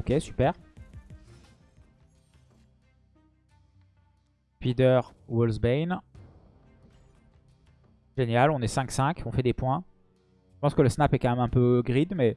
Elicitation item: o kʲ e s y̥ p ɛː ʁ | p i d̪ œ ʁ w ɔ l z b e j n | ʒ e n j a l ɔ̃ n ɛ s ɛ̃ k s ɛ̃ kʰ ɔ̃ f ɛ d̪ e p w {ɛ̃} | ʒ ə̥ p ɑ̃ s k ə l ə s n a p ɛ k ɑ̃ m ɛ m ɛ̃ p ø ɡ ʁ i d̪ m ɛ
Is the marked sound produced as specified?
yes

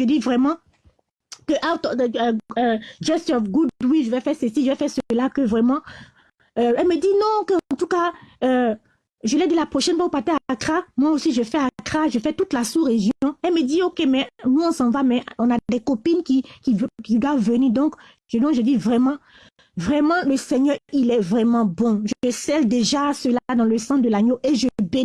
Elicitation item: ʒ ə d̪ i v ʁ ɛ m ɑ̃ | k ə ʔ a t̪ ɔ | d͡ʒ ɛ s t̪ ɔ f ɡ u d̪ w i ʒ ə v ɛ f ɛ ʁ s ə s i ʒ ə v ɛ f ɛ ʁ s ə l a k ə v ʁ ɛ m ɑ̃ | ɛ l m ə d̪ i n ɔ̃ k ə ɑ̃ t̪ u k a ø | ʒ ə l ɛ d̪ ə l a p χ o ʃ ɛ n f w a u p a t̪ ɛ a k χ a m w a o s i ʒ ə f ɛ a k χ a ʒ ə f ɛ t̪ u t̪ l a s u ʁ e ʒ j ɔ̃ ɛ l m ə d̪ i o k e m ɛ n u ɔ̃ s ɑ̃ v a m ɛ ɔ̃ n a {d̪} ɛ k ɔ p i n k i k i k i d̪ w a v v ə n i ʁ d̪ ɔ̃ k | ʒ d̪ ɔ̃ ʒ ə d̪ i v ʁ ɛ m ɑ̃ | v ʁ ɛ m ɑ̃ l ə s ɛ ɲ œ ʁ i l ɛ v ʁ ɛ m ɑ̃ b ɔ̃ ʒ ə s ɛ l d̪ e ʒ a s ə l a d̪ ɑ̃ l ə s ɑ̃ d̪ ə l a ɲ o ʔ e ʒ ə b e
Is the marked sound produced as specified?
yes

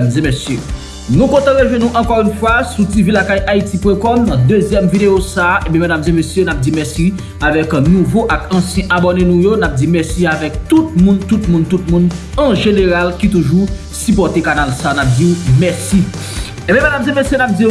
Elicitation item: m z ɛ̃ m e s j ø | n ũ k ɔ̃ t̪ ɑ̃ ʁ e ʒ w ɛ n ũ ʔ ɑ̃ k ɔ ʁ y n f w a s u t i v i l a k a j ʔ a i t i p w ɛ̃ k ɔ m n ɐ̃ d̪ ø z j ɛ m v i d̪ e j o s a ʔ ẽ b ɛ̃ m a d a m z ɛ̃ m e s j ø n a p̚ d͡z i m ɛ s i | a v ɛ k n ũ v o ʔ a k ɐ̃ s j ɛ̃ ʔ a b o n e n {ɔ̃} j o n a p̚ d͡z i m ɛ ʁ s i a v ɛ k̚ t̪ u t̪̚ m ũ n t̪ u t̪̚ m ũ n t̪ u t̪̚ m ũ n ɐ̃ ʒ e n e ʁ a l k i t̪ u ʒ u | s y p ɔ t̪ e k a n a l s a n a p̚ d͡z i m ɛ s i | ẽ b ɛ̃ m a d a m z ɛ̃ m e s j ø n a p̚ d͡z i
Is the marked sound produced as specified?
no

